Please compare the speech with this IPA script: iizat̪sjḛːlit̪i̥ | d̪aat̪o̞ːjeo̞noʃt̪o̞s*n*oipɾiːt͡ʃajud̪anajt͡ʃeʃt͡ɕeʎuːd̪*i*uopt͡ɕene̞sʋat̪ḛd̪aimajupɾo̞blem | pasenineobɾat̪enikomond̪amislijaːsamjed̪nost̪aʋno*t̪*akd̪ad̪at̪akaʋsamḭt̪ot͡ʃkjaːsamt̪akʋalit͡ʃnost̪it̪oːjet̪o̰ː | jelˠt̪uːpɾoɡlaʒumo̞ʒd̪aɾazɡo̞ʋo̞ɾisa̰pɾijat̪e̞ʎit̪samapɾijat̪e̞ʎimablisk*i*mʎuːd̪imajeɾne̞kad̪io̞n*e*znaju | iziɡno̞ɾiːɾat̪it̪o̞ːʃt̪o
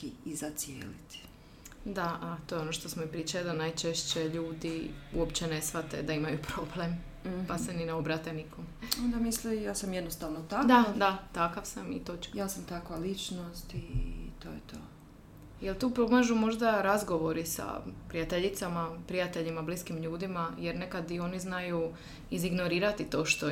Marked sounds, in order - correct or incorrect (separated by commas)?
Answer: incorrect, correct, correct, correct, incorrect